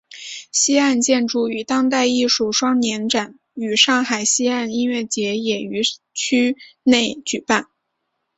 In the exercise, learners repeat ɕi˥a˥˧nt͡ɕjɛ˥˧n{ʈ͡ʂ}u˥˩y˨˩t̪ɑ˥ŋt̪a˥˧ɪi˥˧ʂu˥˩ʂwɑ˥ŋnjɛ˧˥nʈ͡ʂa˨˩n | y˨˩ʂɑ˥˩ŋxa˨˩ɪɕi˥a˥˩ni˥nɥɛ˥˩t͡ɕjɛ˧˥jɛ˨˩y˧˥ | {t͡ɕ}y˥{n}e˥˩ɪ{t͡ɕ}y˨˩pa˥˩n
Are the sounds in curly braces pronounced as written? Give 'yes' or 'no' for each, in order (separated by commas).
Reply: yes, no, yes, yes